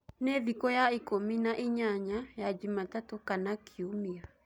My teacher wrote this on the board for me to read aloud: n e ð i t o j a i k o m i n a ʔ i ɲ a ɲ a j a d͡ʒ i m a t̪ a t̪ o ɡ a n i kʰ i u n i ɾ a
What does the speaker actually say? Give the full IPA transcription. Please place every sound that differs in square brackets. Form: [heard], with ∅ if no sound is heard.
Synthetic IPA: n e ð i [k] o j a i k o m i n a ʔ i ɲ a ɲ a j a d͡ʒ i m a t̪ a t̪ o [k] a n [a] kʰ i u [m] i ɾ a